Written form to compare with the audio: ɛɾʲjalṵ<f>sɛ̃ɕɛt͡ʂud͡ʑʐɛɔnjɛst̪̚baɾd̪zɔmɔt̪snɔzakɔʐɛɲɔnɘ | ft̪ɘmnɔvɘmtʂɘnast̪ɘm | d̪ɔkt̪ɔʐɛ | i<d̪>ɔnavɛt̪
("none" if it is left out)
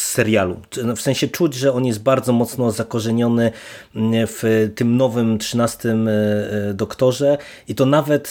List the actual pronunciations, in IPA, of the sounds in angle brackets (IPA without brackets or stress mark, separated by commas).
f, t̪